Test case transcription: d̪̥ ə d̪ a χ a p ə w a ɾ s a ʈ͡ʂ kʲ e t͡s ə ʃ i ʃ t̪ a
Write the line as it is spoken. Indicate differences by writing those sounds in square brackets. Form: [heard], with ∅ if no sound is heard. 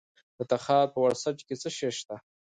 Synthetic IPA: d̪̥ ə [t̪] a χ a p ə w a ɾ s a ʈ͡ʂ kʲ e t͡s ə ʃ [e] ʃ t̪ a